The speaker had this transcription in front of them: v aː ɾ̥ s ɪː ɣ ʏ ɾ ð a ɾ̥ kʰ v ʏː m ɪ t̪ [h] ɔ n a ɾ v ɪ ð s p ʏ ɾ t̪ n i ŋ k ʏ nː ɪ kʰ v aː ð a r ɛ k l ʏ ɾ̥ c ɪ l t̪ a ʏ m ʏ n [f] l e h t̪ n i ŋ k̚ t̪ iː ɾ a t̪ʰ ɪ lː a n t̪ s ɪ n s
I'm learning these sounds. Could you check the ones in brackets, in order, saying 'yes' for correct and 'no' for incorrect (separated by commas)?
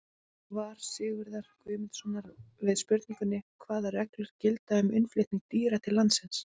no, yes